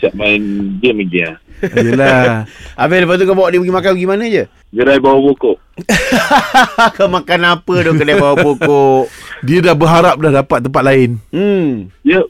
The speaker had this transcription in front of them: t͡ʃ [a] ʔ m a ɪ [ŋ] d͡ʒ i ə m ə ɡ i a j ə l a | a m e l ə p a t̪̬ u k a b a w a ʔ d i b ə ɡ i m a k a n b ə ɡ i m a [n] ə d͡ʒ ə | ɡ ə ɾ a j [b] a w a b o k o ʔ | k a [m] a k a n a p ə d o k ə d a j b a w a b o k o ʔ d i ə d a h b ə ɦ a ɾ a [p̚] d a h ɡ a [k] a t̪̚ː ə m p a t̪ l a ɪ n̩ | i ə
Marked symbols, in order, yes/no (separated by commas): yes, no, yes, yes, yes, yes, no